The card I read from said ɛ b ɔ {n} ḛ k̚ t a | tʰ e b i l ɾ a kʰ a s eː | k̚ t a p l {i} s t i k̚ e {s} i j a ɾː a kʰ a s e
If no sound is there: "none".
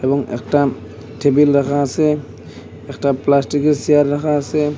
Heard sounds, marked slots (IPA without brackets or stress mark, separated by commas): ŋ, a, s